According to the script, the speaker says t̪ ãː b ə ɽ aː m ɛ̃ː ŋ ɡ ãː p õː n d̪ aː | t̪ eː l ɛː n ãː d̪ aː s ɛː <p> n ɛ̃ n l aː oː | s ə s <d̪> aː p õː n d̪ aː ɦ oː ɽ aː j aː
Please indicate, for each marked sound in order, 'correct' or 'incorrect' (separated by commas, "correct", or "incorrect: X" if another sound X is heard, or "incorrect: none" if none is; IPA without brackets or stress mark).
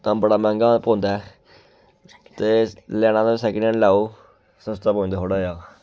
incorrect: k, incorrect: t̪